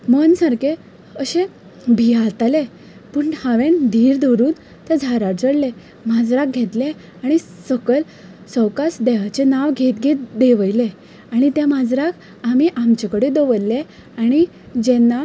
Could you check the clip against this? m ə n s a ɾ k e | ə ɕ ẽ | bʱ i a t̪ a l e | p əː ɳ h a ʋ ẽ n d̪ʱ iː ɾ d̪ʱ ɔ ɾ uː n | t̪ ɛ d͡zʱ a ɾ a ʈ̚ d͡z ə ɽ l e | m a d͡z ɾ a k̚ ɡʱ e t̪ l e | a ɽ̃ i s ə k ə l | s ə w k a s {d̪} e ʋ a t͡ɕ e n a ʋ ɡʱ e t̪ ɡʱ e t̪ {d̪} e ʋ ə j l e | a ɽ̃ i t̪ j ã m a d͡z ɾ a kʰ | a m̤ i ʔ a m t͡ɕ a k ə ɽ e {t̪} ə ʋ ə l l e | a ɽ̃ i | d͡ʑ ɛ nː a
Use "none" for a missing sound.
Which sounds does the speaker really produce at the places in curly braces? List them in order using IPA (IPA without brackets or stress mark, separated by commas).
d̪, d̪, d̪